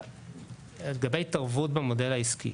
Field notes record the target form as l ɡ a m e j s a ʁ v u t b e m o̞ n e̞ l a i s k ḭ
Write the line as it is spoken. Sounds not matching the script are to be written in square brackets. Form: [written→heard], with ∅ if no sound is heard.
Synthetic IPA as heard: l ɡ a [m→b] e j [s→t] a ʁ v u t b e m o̞ [n→d] e̞ l a i s k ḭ

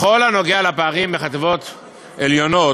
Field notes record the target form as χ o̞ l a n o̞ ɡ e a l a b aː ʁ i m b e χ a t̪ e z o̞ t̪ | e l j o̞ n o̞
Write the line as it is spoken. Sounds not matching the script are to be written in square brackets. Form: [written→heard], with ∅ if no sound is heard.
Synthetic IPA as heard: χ o̞ l a n o̞ ɡ e a l a [b→p] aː ʁ i m b e χ a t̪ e [z→v] o̞ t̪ | e l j o̞ n o̞

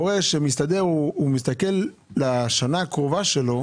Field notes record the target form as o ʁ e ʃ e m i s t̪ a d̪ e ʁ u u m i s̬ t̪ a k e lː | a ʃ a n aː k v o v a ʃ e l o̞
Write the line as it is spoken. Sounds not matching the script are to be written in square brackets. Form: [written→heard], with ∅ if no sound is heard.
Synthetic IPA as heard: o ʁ e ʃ e m i s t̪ a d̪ e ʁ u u m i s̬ t̪ a k e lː | a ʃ a n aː k [v→ʁ] o v a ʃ e l o̞

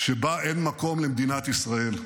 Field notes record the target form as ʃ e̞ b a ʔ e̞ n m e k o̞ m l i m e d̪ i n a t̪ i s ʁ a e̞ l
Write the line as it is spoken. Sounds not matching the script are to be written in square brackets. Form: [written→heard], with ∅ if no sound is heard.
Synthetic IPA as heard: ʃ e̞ b a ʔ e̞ n m [e→a] k o̞ m l [i→e] m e d̪ i n a t̪ i s ʁ a e̞ l

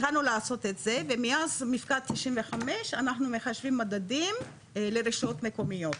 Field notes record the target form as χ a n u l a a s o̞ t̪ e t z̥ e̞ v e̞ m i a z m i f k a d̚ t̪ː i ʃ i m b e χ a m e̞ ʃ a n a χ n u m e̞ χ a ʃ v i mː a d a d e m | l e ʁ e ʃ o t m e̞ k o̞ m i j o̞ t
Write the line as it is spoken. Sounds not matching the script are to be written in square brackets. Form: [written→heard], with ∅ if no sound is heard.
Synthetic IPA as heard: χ a n u l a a s o̞ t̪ e t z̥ e̞ v e̞ m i a z m i f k a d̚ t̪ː i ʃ i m [b→v] e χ a m e̞ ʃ a n a χ n u m e̞ χ a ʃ v i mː a d a d [e→i] m | l e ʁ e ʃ o t m e̞ k o̞ m i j o̞ t

